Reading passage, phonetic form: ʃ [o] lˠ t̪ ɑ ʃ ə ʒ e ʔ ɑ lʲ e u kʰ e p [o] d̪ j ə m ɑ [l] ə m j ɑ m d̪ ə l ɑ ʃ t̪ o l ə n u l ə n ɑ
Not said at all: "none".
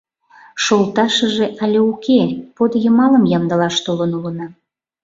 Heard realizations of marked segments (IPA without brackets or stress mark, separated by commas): o, o, l